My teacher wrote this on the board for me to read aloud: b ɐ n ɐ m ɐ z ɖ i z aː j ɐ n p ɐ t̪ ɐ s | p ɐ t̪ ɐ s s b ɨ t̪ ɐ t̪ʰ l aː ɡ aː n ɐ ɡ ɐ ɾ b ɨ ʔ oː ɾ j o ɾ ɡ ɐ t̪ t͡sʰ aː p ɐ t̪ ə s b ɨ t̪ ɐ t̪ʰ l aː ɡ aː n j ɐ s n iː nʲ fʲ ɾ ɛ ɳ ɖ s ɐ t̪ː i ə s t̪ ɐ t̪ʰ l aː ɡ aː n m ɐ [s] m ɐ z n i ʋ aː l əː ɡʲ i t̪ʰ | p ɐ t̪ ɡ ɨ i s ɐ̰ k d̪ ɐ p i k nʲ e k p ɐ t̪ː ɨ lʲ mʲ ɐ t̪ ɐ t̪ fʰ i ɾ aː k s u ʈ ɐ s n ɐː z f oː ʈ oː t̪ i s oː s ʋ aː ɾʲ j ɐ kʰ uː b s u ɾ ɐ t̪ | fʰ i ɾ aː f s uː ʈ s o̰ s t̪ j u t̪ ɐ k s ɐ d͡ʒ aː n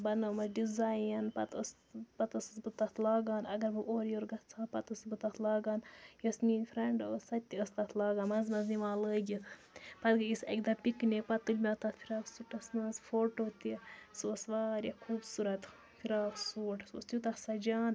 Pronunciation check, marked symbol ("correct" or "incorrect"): incorrect